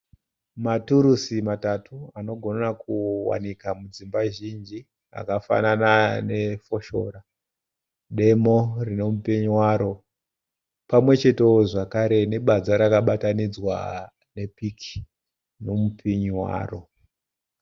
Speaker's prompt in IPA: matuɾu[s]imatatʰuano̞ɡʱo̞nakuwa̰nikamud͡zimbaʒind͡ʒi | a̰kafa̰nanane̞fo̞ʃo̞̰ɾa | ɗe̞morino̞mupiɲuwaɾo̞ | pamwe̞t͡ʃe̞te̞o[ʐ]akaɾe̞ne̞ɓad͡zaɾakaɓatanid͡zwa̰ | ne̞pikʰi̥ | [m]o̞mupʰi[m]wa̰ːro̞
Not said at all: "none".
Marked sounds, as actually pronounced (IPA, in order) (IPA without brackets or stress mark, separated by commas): s, ʐ, n, ɲ